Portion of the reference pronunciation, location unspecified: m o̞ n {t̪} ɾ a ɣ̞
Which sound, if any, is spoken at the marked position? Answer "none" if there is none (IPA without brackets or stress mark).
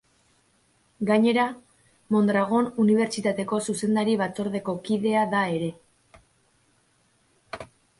d̪